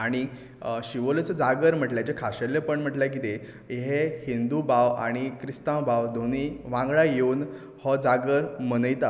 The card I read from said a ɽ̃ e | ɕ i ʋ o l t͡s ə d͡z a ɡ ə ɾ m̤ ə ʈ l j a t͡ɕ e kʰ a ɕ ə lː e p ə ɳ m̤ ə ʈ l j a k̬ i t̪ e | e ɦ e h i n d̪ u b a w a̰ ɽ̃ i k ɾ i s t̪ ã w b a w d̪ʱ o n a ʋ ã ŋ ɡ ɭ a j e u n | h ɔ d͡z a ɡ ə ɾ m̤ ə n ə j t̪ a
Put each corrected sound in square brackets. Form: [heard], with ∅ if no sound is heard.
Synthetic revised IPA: a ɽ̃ [i] | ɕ i ʋ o l t͡s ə d͡z a ɡ ə ɾ m̤ ə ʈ l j a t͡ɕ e kʰ a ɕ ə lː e p ə ɳ m̤ ə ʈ l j a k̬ i t̪ e | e ɦ e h i n d̪ u b a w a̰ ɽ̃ i k ɾ i s t̪ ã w b a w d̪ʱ o n [i] ʋ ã ŋ ɡ ɭ a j e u n | h ɔ d͡z a ɡ ə ɾ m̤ ə n ə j t̪ a